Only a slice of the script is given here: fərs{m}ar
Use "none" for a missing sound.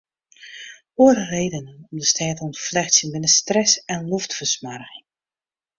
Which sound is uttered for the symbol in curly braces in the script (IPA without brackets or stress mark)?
m